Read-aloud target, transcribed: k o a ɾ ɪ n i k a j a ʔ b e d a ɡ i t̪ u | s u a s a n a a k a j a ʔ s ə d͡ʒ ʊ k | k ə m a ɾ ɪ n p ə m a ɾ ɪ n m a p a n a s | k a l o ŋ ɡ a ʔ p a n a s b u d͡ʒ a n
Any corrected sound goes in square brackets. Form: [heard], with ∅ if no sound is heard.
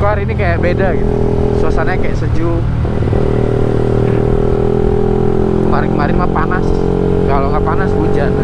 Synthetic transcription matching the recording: k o a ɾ [i] n i k a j a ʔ b e d a ɡ i t̪ u | s u a s a n a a k a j a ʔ s ə d͡ʒ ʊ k | k ə m a ɾ ɪ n [k] ə m a ɾ ɪ n m a p a n a s | k a l o ŋ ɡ a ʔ p a n a s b u d͡ʒ a n